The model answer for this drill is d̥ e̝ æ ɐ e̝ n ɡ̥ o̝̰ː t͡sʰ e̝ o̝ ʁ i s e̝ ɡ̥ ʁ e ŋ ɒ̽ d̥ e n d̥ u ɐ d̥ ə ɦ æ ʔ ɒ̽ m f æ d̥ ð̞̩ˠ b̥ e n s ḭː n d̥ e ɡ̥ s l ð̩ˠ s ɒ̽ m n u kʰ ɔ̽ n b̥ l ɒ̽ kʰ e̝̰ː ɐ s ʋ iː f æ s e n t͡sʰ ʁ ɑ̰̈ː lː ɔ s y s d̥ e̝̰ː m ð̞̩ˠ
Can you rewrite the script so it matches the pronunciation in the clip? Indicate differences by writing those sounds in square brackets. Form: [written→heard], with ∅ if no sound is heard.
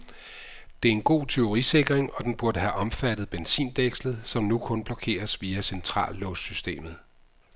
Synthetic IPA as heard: d̥ e̝ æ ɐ e̝ n ɡ̥ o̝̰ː t͡sʰ e̝ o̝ ʁ i s e̝ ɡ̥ ʁ e ŋ ɒ̽ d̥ e n [d̥→b̥] u ɐ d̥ ə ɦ æ ʔ ɒ̽ m f æ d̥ ð̞̩ˠ b̥ e n s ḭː n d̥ e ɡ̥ s l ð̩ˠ s ɒ̽ m n u kʰ ɔ̽ n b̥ l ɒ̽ kʰ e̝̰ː ɐ s ʋ iː [f→∅] æ s e n t͡sʰ ʁ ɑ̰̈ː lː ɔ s y s d̥ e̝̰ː m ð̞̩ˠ

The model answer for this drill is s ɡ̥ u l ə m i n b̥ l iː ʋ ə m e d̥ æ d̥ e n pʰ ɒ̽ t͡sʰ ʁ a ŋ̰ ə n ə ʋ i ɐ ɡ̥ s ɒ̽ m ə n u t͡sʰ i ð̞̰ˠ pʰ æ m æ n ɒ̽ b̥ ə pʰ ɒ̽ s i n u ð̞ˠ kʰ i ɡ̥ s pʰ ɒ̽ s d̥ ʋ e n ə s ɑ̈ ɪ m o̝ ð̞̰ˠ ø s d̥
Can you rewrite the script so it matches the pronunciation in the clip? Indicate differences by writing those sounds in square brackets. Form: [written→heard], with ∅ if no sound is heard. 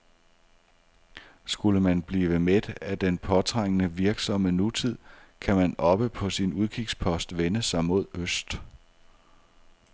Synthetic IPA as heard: s ɡ̥ u l ə m [i→æ] n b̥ l iː ʋ ə m e d̥ æ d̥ e n pʰ ɒ̽ t͡sʰ ʁ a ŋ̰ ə n ə ʋ i ɐ ɡ̥ s ɒ̽ m ə n u t͡sʰ i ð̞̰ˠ [pʰ→kʰ] æ m æ n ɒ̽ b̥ ə pʰ ɒ̽ s i n u ð̞ˠ kʰ i ɡ̥ s pʰ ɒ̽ s d̥ ʋ e n ə s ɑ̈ ɪ m o̝ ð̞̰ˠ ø s d̥

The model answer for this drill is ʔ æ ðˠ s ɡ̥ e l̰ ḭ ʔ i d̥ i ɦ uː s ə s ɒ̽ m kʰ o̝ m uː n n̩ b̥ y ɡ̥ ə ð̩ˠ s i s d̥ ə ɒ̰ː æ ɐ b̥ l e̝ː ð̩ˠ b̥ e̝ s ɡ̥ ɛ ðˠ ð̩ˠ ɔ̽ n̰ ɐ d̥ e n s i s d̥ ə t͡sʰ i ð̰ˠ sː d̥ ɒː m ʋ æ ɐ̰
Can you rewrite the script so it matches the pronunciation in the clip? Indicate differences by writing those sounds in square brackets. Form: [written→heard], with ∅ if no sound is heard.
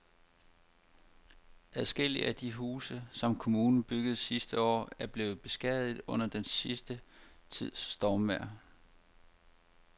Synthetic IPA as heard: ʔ æ ðˠ s ɡ̥ e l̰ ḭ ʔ [i→æ] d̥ i ɦ uː s ə s ɒ̽ m kʰ o̝ m uː n n̩ b̥ y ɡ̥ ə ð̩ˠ s i s d̥ ə ɒ̰ː æ ɐ b̥ l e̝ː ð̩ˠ b̥ e̝ s ɡ̥ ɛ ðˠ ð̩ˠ ɔ̽ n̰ ɐ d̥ e n s i s d̥ ə t͡sʰ i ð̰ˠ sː d̥ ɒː m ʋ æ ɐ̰

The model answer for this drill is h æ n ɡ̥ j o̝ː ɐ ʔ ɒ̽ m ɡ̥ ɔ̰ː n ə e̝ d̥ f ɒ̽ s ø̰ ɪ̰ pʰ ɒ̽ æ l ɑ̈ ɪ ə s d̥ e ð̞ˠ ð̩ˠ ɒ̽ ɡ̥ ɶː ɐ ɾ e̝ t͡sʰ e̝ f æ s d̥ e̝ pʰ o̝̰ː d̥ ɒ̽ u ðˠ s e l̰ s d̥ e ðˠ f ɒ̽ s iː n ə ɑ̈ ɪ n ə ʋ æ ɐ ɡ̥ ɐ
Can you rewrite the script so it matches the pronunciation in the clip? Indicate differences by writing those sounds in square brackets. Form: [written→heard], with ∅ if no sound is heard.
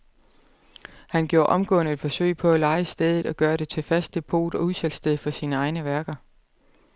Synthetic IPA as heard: h æ n ɡ̥ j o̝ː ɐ ʔ ɒ̽ m ɡ̥ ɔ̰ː n ə e̝ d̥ f ɒ̽ s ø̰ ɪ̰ pʰ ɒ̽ æ l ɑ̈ ɪ ə s d̥ e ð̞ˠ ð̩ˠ ɒ̽ ɡ̥ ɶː ɐ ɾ e̝ t͡sʰ e̝ f æ s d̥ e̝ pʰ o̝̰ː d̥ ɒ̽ u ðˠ s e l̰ s d̥ e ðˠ f ɒ̽ s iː n ə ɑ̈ ɪ n ə ʋ æ ɐ ɡ̥ ɐ

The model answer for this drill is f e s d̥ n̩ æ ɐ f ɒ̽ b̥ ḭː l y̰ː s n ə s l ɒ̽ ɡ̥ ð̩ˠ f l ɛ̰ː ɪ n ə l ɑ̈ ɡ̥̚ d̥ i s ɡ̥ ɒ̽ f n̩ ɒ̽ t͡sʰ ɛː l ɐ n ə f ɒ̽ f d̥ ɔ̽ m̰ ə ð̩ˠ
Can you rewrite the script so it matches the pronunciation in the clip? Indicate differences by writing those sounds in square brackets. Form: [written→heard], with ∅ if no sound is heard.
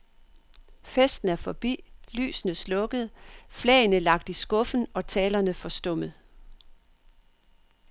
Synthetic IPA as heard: f e s d̥ n̩ æ ɐ f ɒ̽ b̥ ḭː l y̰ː s n ə s l [ɒ̽→ɔ̽] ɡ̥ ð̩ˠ f l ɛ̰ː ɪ n ə l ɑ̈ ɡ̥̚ d̥ i s ɡ̥ [ɒ̽→ɔ̽] f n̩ ɒ̽ t͡sʰ ɛː l ɐ n ə f ɒ̽ [f→s] d̥ ɔ̽ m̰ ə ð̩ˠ

